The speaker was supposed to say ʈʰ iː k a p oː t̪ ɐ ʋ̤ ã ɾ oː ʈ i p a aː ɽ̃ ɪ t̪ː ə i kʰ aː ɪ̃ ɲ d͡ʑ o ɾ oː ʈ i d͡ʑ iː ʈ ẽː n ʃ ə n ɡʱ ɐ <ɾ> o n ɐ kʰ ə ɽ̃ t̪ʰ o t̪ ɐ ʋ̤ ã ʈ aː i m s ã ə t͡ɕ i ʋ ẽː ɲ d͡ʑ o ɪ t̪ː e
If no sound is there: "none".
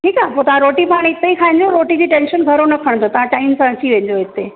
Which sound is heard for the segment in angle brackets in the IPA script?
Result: ɾ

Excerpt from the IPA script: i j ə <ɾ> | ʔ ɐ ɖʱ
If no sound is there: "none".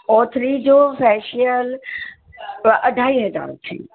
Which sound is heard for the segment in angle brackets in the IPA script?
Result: l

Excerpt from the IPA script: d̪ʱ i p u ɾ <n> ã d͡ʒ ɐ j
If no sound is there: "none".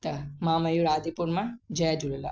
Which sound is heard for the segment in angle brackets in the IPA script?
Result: m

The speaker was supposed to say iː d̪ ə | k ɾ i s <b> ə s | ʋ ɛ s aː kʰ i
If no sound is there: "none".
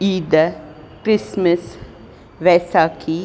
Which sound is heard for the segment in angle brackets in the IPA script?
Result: m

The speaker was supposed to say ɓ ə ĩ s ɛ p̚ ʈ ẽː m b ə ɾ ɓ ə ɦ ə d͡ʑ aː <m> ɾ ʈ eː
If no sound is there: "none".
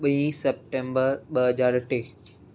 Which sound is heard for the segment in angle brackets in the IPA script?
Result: none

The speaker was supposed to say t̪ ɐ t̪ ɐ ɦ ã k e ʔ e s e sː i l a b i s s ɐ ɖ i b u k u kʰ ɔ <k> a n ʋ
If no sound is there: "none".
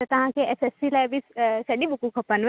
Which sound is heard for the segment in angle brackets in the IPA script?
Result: p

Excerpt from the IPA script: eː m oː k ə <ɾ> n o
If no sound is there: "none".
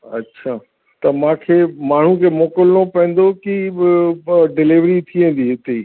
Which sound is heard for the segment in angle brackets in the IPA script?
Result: l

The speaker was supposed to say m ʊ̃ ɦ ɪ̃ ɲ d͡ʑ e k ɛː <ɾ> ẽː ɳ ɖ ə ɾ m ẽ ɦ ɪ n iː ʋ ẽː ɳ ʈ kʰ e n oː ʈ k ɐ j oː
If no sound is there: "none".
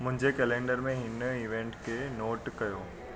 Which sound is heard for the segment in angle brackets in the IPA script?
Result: l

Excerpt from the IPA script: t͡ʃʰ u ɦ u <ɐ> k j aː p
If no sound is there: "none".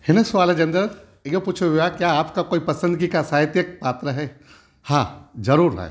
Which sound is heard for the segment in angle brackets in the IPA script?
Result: a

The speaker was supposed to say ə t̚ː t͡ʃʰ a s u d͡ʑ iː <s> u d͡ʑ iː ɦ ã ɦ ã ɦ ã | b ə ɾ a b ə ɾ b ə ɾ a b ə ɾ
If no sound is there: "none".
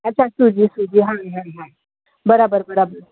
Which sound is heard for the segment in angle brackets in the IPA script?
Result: s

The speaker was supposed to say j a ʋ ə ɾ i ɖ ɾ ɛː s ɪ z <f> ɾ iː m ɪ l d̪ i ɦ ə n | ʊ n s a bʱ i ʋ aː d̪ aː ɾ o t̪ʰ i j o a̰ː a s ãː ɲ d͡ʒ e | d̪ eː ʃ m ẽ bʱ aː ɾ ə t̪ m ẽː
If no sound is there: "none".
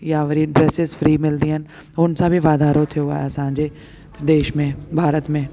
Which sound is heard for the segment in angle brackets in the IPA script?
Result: f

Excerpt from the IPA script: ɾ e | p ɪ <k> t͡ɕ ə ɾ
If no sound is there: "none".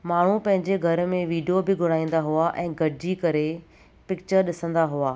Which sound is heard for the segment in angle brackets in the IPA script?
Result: k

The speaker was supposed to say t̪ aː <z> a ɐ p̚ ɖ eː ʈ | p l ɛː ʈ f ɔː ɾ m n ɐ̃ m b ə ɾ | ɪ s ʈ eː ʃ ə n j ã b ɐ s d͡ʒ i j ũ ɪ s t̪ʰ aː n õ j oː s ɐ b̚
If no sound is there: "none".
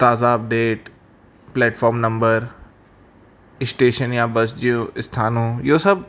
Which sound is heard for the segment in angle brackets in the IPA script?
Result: z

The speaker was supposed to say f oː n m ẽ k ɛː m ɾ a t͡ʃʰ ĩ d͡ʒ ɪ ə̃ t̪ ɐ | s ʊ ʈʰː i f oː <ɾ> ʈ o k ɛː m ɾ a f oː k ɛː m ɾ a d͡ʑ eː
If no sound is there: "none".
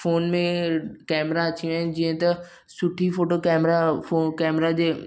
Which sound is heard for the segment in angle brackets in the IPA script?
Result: none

